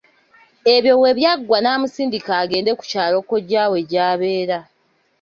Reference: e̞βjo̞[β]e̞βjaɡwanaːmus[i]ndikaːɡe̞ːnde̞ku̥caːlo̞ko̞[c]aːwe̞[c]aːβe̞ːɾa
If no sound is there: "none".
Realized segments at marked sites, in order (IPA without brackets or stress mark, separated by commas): w, iː, ɟ, ɟ